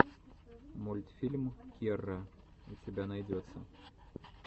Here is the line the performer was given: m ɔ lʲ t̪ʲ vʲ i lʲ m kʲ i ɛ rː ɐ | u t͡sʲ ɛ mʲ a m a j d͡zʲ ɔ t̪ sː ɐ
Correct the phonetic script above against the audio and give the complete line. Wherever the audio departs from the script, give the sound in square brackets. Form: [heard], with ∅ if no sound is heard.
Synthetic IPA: m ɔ lʲ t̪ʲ [fʲ] i lʲ m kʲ i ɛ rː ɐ | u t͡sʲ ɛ [bʲ] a [n] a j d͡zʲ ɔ t̪ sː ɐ